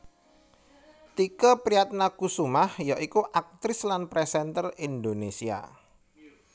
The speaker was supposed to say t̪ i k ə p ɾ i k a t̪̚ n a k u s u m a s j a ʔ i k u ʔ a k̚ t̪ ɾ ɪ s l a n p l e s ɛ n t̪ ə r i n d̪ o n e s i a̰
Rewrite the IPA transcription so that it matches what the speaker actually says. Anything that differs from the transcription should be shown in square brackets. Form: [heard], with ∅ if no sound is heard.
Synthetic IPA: t̪ i k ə p ɾ i [∅] a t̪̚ n a k u s u m a [h] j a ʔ i k u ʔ a k̚ t̪ ɾ ɪ s l a n p [ɾ] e s ɛ n t̪ ə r i n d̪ o n e s i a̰